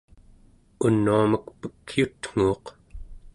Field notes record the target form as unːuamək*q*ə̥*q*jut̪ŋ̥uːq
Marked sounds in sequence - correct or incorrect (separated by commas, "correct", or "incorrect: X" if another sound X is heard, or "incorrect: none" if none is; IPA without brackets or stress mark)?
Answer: incorrect: p, incorrect: k